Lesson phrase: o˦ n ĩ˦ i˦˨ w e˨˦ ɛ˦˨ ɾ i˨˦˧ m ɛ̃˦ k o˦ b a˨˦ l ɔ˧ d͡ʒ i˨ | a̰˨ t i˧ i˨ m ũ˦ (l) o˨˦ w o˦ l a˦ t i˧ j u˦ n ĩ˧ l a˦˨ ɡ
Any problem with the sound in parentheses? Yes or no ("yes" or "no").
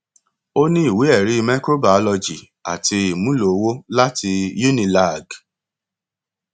no